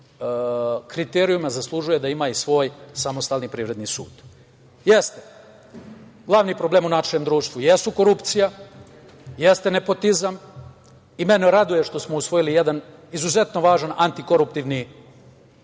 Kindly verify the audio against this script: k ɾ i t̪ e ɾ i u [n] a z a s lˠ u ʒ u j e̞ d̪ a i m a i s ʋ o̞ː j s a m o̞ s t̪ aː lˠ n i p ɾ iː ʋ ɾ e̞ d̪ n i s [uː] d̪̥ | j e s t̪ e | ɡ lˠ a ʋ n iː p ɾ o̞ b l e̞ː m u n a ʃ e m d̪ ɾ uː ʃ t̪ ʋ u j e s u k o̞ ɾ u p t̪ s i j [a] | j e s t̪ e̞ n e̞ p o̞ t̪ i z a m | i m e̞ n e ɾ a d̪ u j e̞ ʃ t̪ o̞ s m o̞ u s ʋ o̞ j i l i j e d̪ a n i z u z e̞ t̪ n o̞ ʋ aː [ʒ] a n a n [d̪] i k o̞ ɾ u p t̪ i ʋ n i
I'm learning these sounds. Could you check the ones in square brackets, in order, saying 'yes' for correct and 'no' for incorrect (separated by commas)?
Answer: no, yes, yes, yes, no